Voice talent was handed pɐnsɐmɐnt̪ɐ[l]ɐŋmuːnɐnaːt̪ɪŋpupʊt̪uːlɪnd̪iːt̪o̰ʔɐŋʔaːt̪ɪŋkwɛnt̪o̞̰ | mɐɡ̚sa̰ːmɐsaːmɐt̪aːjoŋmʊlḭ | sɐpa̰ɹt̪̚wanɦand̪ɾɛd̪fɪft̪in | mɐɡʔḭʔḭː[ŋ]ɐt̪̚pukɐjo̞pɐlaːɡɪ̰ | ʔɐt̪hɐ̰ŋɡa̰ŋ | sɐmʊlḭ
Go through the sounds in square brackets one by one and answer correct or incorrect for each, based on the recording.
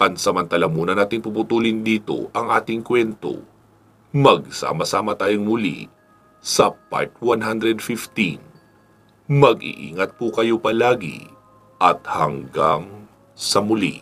correct, correct

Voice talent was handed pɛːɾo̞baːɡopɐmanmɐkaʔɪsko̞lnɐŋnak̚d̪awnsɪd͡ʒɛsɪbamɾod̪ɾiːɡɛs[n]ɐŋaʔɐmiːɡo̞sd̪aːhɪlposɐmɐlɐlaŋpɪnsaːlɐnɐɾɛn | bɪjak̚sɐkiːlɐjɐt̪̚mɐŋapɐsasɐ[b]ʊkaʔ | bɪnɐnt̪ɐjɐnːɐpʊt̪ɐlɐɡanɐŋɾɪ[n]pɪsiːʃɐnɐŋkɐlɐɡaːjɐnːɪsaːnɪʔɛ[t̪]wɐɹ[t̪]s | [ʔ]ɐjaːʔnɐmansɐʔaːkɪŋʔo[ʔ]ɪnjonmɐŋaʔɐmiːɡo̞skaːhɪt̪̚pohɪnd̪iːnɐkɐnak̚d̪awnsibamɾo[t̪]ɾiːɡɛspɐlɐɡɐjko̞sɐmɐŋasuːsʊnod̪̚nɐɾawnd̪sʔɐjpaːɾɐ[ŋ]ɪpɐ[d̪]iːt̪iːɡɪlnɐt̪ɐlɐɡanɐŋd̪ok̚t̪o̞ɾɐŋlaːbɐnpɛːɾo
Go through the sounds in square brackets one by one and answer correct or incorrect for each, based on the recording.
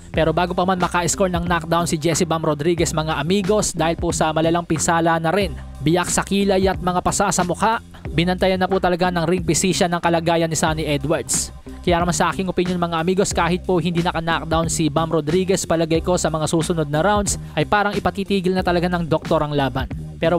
incorrect: m, incorrect: m, incorrect: ŋ, incorrect: d̪, incorrect: d̪, incorrect: k, incorrect: p, incorrect: d̪, correct, incorrect: t̪

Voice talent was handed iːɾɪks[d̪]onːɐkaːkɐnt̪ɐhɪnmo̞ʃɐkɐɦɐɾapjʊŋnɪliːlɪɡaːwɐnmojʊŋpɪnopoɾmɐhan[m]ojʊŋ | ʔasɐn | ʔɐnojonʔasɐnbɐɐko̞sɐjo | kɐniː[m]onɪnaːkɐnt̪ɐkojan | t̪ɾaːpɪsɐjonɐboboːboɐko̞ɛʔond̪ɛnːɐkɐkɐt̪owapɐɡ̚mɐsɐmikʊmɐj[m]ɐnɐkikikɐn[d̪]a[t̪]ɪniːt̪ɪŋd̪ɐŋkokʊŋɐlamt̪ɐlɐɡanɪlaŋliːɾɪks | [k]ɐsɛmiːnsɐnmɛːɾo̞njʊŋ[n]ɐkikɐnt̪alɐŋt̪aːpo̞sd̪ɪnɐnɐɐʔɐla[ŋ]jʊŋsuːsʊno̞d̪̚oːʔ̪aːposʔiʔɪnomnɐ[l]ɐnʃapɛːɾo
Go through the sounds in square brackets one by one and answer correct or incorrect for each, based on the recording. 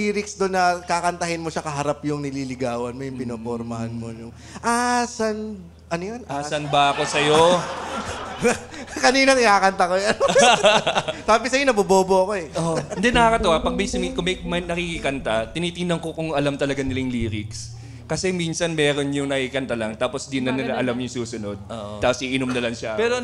correct, correct, incorrect: n, correct, incorrect: t̪, correct, correct, correct, incorrect: m, correct

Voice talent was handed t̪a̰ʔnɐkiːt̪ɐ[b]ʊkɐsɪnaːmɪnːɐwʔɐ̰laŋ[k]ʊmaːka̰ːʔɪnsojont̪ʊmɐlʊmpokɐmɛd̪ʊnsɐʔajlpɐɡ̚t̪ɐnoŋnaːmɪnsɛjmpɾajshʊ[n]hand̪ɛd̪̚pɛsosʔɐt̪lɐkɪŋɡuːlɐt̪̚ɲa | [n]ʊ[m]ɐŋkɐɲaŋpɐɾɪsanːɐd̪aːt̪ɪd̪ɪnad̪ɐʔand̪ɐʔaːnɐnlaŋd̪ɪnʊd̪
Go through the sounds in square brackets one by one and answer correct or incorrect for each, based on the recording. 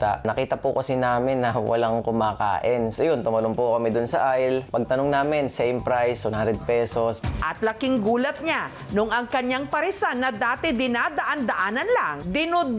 incorrect: p, correct, correct, correct, incorrect: ŋ

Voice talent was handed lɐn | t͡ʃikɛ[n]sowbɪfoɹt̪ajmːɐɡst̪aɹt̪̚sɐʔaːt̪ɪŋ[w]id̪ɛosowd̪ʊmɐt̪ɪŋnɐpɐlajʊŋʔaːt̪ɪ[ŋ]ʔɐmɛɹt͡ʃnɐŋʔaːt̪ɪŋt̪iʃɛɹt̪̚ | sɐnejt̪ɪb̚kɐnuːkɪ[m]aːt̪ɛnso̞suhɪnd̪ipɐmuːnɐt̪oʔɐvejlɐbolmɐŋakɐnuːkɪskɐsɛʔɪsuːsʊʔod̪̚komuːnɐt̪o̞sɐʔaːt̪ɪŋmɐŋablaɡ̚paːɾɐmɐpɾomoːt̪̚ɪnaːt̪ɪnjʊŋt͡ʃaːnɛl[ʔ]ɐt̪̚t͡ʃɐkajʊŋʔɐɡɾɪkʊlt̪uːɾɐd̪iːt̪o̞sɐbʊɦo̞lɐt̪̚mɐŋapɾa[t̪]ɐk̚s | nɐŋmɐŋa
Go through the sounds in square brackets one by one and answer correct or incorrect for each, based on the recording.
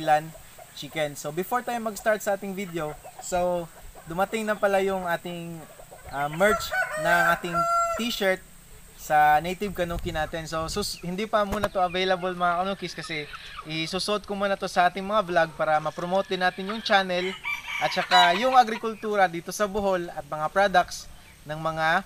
correct, incorrect: v, correct, incorrect: n, correct, incorrect: d̪

